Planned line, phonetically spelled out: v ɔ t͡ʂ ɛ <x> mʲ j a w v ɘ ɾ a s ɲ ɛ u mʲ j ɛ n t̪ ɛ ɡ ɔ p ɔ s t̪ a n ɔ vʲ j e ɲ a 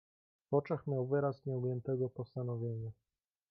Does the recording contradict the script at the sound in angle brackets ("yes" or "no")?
no